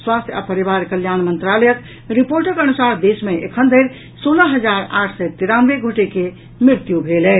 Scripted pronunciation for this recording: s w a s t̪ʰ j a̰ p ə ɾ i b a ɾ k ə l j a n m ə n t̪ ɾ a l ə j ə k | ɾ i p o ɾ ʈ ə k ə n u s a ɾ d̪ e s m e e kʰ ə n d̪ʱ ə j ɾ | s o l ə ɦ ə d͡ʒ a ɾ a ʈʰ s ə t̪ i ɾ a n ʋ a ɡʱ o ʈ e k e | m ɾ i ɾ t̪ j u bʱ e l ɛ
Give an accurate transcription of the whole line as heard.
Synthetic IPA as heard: s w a s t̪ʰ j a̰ p ə ɾ i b a ɾ k ə l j a n m ə n t̪ ɾ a l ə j ə k | ɾ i p o ɾ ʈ ə k ə n u s a ɾ d̪ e s m e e kʰ ə n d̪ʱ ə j ɾ | s o l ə ɦ ə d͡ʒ a ɾ a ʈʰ s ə t̪ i ɾ a n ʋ e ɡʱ o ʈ e k e | m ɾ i ɾ t̪ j u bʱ e l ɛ